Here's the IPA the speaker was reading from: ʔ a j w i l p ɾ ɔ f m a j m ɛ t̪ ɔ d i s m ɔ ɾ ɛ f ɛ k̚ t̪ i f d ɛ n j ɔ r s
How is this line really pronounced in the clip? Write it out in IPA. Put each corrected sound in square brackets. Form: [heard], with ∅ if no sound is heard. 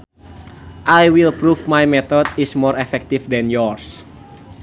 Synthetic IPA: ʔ a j w i l p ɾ [u] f m a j m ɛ t̪ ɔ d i s m ɔ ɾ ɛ f ɛ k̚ t̪ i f d ɛ n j ɔ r s